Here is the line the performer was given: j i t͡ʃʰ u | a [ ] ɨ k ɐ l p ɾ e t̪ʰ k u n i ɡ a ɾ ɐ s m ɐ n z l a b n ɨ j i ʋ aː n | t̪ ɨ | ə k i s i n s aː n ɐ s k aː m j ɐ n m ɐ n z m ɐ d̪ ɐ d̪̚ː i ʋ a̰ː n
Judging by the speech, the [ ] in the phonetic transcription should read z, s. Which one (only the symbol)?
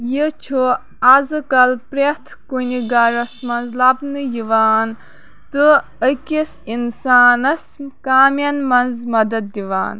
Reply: z